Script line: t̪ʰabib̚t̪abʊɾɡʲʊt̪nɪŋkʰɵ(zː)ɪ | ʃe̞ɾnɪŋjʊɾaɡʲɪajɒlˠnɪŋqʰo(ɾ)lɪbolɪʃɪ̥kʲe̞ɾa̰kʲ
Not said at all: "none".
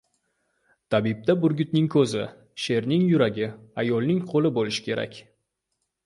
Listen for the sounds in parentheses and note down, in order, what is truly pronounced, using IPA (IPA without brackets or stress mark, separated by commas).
z, none